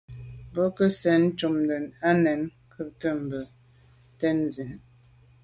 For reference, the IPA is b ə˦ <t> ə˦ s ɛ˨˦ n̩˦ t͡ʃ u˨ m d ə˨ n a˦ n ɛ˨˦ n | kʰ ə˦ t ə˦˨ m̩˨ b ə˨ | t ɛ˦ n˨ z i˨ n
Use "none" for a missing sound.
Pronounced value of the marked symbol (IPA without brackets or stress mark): k